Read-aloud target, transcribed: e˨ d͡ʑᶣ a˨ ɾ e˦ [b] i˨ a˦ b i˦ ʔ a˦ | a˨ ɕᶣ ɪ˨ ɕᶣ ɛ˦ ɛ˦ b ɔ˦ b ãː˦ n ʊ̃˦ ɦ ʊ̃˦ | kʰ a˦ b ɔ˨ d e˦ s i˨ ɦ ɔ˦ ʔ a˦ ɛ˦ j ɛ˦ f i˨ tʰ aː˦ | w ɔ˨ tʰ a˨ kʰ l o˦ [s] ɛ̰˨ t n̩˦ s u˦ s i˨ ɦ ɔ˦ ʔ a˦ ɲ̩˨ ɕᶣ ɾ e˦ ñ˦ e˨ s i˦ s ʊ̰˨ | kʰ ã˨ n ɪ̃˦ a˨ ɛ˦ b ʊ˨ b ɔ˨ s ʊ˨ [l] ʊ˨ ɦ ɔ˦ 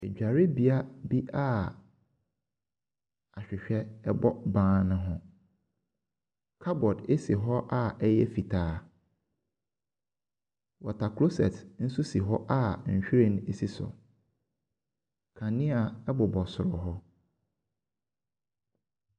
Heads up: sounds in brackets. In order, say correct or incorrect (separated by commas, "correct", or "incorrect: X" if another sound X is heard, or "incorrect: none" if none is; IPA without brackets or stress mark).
correct, correct, incorrect: ɾ